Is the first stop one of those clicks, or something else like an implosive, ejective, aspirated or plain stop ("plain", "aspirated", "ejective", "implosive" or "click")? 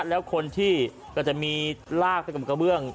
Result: aspirated